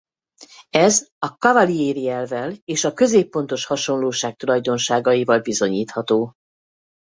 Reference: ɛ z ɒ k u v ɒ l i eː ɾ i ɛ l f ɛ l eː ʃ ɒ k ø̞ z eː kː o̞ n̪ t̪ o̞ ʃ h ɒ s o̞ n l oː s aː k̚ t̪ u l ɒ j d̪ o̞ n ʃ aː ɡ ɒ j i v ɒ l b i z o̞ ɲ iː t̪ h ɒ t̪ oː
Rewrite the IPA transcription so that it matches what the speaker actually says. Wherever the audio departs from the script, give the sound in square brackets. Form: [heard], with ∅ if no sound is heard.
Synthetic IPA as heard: ɛ z ɒ k [ɒ] v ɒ l i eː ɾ i ɛ l [v] ɛ l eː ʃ ɒ k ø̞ z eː [pː] o̞ n̪ t̪ o̞ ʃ h ɒ [ʃ] o̞ n l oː [ʃ] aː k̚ t̪ u l ɒ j d̪ o̞ n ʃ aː ɡ ɒ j i v ɒ l b i z o̞ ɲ iː t̪ h ɒ t̪ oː

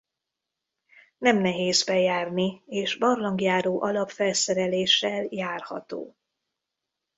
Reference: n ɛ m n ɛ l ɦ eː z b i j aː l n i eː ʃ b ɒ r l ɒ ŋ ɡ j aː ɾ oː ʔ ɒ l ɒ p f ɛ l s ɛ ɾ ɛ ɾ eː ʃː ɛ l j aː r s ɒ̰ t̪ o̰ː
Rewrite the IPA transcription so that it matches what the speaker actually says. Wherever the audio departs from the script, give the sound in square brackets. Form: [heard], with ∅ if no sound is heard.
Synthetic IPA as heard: n ɛ m n ɛ [∅] ɦ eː z b [ɛ] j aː [r] n i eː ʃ b ɒ r l ɒ ŋ ɡ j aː ɾ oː ʔ ɒ l ɒ p f ɛ l s ɛ ɾ ɛ [l] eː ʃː ɛ l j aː r [h] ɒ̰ t̪ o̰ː

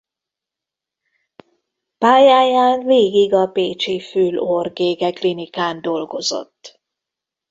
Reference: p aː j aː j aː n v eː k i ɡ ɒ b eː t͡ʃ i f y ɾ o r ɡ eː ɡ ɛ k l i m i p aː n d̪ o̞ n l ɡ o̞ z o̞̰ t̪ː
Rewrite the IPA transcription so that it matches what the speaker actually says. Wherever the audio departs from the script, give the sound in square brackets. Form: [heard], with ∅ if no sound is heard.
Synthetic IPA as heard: p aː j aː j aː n v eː [ɡ] i ɡ ɒ [p] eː t͡ʃ i f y [l] o r ɡ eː ɡ ɛ k l i [n] i [k] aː n d̪ o̞ [∅] l ɡ o̞ z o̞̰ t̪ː

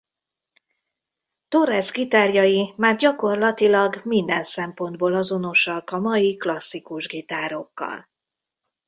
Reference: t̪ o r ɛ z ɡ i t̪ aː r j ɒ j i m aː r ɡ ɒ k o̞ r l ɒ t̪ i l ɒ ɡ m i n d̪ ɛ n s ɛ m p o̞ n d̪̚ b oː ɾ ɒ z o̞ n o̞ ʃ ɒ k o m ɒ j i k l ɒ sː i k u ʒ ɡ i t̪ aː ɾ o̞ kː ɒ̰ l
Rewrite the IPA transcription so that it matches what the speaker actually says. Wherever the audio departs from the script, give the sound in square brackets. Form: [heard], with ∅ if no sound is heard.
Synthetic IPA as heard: t̪ o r ɛ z ɡ i t̪ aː r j ɒ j i m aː r [ɟ] ɒ k o̞ r l ɒ t̪ i l ɒ ɡ m i n d̪ ɛ n s ɛ m p o̞ n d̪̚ b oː [l] ɒ z o̞ n o̞ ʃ ɒ k [ɒ] m ɒ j i k l ɒ sː i k u ʒ ɡ i t̪ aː ɾ o̞ kː ɒ̰ l

